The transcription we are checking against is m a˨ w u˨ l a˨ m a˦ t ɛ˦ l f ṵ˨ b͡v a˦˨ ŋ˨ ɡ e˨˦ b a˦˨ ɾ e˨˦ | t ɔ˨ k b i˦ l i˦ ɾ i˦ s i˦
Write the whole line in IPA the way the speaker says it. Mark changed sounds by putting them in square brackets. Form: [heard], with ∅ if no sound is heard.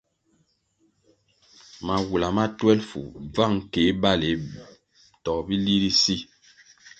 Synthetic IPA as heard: m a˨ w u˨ l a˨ m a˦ t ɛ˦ l f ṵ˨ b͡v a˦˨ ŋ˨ [k] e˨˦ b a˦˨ [l] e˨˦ | t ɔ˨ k b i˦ l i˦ ɾ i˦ s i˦